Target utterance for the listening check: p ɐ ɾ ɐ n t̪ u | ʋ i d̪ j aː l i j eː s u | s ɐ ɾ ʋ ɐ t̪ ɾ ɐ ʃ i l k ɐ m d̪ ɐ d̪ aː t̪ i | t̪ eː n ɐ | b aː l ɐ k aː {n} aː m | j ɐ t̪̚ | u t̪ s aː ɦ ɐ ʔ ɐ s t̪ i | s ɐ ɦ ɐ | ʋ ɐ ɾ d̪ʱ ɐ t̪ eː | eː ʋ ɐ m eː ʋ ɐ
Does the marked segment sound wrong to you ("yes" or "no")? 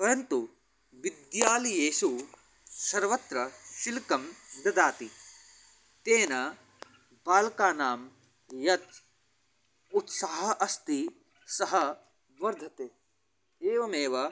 no